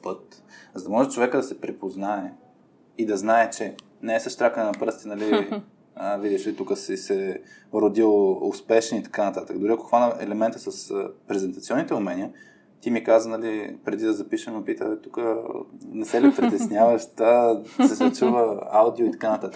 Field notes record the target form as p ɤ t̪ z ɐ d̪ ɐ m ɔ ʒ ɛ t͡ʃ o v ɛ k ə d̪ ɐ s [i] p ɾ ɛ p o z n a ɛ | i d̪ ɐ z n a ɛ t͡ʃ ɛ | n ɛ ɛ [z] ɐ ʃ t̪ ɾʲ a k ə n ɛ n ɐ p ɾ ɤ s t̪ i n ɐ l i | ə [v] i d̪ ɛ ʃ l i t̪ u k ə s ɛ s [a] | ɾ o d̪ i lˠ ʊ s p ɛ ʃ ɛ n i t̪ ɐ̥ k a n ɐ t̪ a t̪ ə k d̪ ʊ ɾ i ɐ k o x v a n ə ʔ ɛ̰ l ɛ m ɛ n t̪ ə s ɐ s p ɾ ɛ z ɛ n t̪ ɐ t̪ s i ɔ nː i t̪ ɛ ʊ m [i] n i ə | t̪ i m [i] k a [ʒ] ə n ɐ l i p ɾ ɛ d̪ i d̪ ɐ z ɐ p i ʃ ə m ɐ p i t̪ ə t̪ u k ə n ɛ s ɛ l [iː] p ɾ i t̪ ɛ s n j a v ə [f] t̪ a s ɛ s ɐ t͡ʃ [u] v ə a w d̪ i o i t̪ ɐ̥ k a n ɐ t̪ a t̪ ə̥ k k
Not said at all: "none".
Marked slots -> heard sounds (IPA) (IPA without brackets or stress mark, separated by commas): ɛ, s, v, ɛ, ɛ, i, z, i, ʃ, u